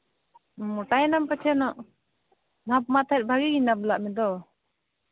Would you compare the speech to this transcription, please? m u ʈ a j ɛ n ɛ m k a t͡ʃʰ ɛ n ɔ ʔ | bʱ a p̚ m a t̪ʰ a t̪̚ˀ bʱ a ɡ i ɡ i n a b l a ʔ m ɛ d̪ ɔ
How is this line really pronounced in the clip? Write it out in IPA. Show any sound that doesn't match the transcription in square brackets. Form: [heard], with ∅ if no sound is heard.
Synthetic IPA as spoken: m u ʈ a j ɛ n [a] m [p] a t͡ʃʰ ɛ n ɔ ʔ | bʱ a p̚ m a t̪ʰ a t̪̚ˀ bʱ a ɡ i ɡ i n a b l a ʔ m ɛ d̪ ɔ

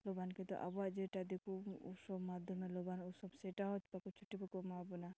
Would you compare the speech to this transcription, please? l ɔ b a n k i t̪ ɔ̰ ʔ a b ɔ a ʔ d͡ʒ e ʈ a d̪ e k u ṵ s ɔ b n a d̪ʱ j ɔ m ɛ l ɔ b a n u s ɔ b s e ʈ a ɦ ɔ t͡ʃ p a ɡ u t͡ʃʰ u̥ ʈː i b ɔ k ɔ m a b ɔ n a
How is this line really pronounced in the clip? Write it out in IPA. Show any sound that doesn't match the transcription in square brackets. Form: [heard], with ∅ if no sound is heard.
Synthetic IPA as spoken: l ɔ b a n k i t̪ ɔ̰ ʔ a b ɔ a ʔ d͡ʒ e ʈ a d̪ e k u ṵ s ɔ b [m] a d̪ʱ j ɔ m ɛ l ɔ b a n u s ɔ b s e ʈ a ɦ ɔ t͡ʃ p a [k] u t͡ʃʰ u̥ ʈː i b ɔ k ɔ m a b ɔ n a

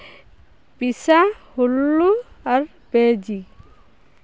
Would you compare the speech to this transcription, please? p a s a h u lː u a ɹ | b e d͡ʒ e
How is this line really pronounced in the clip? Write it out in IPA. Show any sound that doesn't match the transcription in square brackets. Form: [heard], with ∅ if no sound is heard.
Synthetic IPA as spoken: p [i] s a h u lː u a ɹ | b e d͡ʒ [i]

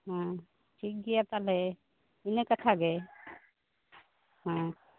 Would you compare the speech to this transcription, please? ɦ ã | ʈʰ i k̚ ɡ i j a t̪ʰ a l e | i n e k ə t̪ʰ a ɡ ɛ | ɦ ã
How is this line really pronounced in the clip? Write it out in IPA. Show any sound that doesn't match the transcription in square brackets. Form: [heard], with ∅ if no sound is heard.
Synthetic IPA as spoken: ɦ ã | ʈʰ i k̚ ɡ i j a [t̪] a l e | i n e k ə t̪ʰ a ɡ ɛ | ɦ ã

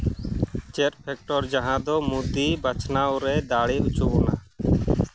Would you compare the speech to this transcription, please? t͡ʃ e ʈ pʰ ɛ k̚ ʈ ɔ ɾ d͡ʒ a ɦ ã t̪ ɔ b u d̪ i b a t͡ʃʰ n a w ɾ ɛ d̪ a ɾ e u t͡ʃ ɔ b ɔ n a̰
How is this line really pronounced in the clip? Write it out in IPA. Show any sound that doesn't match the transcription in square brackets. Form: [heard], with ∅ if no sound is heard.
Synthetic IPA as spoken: t͡ʃ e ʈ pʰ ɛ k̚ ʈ ɔ ɾ d͡ʒ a ɦ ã [d̪] ɔ [m] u d̪ i b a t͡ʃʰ n a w ɾ ɛ d̪ a [ɽ] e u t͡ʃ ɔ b ɔ n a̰

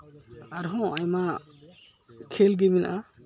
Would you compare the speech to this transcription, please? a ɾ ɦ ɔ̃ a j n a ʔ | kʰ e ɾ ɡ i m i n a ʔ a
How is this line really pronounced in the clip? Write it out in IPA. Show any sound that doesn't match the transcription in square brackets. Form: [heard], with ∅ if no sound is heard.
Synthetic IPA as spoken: a ɾ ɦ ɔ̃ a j [m] a [∅] | kʰ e [l] ɡ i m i n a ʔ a

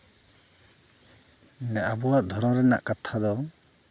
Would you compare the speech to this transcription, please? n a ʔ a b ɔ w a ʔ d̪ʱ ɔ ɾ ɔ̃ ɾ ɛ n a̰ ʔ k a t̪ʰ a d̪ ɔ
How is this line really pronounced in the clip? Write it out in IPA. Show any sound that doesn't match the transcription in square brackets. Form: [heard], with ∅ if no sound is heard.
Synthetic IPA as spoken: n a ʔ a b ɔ w a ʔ d̪ʱ ɔ ɾ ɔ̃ ɾ ɛ n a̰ ʔ k a t̪ʰ a d̪ ɔ

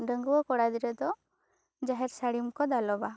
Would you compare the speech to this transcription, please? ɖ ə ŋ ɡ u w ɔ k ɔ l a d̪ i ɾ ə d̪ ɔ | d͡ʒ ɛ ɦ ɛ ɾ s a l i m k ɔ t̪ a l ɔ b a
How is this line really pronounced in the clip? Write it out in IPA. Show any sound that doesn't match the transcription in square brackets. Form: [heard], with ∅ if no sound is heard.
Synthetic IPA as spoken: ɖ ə ŋ ɡ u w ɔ k ɔ [ɽ] a d̪ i ɾ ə d̪ ɔ | d͡ʒ [a] ɦ ɛ ɾ s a [ɽ] i m k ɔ [d̪] a l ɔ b a

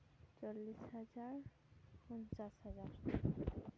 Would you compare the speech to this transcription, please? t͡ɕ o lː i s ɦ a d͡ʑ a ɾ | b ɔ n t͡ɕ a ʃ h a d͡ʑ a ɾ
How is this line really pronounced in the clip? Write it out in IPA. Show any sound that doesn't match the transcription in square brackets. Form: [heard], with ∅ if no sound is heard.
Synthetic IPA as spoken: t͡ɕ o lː i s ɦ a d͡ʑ a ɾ | [p] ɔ n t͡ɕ a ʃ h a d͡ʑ a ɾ

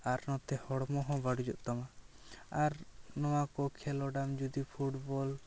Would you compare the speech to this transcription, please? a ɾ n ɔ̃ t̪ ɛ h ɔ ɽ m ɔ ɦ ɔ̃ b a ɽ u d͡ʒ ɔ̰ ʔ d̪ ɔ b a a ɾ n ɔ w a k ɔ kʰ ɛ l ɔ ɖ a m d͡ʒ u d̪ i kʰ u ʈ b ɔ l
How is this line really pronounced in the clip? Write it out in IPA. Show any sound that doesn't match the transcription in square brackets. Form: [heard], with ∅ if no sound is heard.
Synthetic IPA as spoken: a ɾ n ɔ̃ t̪ ɛ h ɔ ɽ m ɔ ɦ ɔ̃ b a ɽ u d͡ʒ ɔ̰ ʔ [t̪] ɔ [m] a a ɾ n ɔ w a k ɔ kʰ ɛ l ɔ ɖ a m d͡ʒ u d̪ i [pʰ] u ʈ b ɔ l

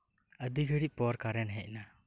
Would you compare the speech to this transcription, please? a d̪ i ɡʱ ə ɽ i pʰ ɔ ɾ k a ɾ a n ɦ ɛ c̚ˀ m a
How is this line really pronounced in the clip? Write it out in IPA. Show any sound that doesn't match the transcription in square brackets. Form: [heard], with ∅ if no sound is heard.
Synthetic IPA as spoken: [ə] d̪ i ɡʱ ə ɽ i [p] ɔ ɾ k a ɾ [ɛ] n ɦ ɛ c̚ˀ [n] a

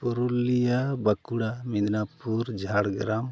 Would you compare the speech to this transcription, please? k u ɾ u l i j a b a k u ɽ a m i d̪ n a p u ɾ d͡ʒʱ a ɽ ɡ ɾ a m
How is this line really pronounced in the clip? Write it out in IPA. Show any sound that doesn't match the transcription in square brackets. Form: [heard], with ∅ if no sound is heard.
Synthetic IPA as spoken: [p] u ɾ u l i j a b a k u ɽ a m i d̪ n a p u ɾ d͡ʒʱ a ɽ ɡ ɾ a m

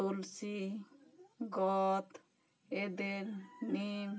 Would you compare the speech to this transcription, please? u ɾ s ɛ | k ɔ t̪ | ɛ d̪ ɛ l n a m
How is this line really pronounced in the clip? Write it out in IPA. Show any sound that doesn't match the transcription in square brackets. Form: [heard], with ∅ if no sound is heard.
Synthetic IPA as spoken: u [l] s [i] | [ɡ] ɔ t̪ | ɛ d̪ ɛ [ɾ] n [i] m

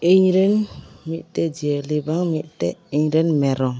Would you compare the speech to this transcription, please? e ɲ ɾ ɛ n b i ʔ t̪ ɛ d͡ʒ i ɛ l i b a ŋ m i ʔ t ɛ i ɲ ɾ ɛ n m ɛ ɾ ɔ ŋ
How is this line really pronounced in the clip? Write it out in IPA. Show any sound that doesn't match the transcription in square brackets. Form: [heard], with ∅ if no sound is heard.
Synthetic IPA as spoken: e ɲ ɾ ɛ n [m] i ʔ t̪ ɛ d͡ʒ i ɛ l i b a ŋ m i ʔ t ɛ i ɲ ɾ ɛ n m ɛ ɾ ɔ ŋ

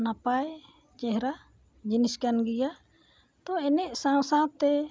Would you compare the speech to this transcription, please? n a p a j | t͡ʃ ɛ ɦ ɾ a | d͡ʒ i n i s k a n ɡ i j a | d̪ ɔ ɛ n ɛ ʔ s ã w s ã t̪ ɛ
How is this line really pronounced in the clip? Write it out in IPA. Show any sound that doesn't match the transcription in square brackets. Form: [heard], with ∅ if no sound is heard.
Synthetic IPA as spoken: n a p a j | t͡ʃ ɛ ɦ ɾ a | d͡ʒ i n i s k a n ɡ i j a | [t̪] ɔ ɛ n ɛ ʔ s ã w s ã t̪ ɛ

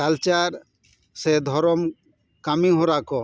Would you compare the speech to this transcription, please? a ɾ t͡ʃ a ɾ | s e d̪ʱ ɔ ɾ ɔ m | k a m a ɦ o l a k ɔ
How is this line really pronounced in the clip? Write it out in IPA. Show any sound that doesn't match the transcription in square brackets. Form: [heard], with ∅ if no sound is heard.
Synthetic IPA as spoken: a [l] t͡ʃ a ɾ | s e d̪ʱ ɔ ɾ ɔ m | k a m [i] ɦ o [ɾ] a k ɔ

